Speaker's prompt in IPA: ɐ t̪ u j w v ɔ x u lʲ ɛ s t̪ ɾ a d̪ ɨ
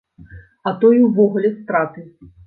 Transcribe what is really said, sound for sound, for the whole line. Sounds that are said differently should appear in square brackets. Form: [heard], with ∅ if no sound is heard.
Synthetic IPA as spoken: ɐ t̪ [ɔ] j w v ɔ [ɣ] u lʲ ɛ s t̪ ɾ a [t̪] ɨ